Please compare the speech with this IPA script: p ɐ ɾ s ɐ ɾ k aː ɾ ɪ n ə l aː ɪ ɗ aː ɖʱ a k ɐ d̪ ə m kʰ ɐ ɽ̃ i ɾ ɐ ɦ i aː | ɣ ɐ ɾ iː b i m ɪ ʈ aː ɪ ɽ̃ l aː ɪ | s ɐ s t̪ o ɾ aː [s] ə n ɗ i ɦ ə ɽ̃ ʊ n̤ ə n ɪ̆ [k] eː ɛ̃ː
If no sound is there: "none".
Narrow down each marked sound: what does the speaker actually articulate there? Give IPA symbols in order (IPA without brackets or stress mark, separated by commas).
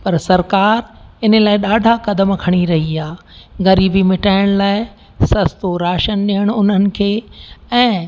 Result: ʃ, kʰ